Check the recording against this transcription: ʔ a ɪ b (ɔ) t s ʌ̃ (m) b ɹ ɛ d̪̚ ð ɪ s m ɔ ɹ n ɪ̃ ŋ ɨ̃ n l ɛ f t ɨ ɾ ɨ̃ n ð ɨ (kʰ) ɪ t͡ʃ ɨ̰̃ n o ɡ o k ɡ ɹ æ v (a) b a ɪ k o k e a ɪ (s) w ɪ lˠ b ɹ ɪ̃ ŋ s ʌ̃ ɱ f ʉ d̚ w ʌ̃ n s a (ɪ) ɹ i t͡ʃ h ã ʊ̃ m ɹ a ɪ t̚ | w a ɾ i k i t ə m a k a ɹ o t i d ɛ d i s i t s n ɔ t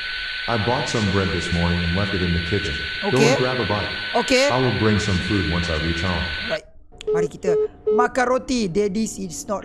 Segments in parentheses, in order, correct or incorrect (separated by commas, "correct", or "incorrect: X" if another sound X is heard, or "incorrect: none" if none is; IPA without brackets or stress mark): correct, correct, correct, incorrect: ə, incorrect: none, correct